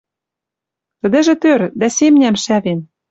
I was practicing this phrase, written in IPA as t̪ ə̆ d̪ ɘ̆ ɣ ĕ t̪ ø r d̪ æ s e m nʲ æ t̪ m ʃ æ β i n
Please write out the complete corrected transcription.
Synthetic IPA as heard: t̪ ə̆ d̪ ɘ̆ ʒ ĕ t̪ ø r d̪ æ s e m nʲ æ m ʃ æ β e n